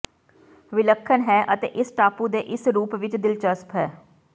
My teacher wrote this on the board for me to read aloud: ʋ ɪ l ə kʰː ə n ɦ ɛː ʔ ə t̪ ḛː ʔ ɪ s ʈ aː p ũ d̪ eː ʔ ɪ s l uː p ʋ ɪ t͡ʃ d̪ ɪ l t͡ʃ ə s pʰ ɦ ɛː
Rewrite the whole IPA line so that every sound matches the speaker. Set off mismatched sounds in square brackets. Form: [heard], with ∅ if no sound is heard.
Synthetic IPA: ʋ ɪ l ə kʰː ə n ɦ ɛː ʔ ə t̪ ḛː ʔ ɪ s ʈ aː p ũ d̪ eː ʔ ɪ s [ɾ] uː p ʋ ɪ t͡ʃ d̪ ɪ l t͡ʃ ə s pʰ ɦ ɛː